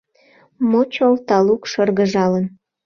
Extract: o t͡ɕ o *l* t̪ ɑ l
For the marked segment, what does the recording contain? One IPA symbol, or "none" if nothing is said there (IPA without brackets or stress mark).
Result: l